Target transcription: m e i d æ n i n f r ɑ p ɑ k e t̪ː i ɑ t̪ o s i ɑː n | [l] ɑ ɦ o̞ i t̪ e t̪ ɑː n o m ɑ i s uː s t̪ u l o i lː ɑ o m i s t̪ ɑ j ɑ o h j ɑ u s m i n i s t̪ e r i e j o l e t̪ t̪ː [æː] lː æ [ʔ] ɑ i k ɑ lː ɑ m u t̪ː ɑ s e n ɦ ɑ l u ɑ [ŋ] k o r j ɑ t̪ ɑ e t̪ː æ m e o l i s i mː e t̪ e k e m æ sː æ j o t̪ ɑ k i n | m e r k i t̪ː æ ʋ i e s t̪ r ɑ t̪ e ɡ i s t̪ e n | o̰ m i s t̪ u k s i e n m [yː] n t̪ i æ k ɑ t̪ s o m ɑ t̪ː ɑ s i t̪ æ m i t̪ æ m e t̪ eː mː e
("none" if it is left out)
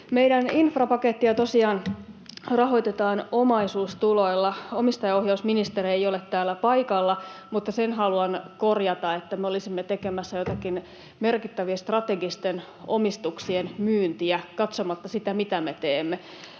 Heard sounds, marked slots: r, æː, p, n, yː

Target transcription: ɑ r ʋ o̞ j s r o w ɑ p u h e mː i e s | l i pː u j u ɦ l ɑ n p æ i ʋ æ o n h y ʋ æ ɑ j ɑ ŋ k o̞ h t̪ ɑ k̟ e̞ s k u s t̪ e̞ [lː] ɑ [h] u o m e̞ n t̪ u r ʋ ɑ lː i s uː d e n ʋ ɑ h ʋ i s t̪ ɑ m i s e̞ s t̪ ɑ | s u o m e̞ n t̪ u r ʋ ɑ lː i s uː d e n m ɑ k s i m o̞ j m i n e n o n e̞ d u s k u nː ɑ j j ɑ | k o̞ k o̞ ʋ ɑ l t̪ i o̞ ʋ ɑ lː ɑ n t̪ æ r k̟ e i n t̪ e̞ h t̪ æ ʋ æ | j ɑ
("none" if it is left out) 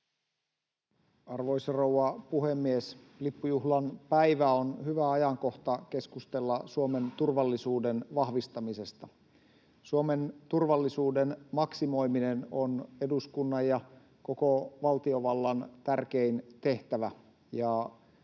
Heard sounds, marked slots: lː, s

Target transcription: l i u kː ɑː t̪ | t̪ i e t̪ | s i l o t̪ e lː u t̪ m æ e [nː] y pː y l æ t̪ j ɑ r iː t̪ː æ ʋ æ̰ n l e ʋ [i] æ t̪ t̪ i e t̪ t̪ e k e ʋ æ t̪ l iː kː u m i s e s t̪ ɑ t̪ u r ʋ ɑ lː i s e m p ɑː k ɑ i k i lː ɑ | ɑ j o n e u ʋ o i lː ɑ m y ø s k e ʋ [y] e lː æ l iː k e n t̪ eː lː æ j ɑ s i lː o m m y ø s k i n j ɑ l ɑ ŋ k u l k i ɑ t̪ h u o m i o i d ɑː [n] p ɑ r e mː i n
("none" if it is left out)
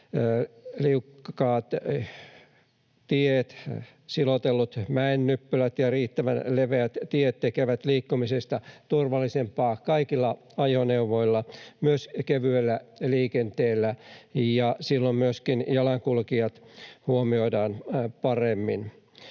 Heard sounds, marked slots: nː, e, y, n

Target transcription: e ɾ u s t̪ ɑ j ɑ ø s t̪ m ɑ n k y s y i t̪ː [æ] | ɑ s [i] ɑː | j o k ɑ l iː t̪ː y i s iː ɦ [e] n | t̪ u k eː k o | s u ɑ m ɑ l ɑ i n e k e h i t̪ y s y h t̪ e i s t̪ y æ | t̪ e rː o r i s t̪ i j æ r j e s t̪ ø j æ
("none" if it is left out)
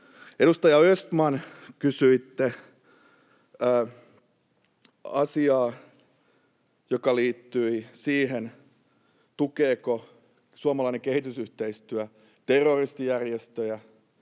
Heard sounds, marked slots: e, i, e

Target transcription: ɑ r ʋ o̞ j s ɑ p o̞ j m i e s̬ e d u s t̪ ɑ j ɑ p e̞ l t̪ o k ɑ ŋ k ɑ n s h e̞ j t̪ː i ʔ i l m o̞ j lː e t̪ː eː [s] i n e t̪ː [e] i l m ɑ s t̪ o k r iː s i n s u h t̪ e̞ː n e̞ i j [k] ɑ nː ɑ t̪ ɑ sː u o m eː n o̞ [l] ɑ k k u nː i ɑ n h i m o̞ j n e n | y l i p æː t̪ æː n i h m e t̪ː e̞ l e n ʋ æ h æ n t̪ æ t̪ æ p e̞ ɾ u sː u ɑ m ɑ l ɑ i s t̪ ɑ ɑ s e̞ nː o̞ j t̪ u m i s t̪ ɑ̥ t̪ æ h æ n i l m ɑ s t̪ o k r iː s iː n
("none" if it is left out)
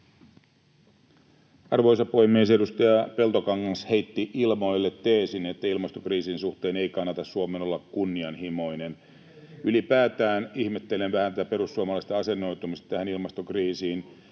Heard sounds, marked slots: s, æ, k, lː

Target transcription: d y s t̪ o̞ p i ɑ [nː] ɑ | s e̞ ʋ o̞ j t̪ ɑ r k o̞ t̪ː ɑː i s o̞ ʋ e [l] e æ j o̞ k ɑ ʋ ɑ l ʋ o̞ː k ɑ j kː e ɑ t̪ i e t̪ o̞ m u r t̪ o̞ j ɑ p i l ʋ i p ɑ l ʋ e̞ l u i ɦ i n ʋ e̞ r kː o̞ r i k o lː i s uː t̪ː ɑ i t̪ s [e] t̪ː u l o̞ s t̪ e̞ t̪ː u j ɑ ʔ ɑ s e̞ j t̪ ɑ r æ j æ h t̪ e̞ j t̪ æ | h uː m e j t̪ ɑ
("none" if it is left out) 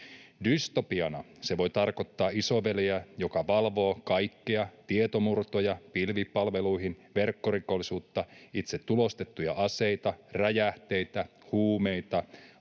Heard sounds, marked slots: n, l, e

